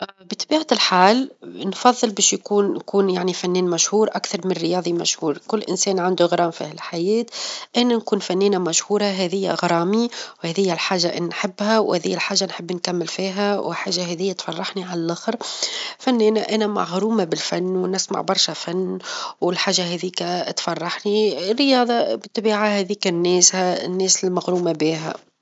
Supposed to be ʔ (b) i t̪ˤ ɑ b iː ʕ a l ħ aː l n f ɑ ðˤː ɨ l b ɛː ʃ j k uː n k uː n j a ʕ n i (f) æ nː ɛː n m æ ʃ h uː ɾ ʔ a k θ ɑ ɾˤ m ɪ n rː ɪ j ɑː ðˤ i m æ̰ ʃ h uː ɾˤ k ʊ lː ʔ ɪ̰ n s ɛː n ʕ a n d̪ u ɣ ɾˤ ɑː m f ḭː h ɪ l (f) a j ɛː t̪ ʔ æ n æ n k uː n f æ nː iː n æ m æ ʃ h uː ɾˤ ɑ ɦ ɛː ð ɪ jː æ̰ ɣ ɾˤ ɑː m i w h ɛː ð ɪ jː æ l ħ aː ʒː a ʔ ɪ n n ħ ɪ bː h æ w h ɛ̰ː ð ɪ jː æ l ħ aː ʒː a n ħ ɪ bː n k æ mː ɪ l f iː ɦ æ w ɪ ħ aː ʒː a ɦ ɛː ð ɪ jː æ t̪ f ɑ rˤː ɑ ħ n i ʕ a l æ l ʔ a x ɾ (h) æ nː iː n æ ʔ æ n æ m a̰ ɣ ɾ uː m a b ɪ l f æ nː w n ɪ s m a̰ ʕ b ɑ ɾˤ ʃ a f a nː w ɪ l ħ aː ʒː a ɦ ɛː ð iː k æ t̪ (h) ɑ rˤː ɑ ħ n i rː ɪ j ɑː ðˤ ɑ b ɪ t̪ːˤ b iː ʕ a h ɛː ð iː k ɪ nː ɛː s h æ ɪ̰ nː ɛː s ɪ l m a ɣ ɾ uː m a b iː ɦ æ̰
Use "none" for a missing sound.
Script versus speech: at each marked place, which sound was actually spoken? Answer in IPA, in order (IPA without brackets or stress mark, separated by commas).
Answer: b, f, ħ, f, f